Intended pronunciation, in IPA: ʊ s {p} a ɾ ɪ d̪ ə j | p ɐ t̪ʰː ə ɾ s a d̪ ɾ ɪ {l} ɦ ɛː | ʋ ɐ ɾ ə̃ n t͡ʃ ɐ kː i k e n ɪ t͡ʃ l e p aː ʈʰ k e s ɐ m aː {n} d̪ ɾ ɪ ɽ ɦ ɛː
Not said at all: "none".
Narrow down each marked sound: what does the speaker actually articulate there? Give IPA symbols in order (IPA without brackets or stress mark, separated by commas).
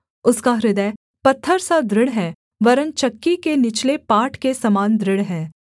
k, ɽ, n